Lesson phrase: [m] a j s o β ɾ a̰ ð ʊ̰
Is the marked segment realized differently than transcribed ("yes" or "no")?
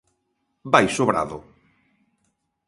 yes